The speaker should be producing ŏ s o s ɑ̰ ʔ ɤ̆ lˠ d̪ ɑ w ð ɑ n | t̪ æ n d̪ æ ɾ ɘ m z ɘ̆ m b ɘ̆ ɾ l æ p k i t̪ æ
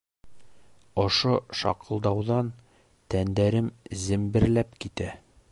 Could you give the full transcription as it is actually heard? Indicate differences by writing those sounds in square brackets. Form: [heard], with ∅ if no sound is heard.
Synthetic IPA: ŏ [ʃ] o [ʃ] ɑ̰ [q] ɤ̆ lˠ d̪ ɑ w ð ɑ n | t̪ æ n d̪ æ ɾ ɘ m z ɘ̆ m b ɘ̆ ɾ l æ p k i t̪ æ